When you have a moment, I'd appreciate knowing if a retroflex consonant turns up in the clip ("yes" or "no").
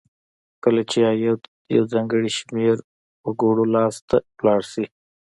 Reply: yes